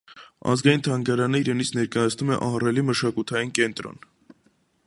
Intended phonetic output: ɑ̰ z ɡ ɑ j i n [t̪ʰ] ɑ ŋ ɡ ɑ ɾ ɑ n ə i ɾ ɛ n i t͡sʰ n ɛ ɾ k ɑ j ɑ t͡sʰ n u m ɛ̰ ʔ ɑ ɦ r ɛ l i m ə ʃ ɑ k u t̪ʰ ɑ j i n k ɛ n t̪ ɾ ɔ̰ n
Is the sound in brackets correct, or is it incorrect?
correct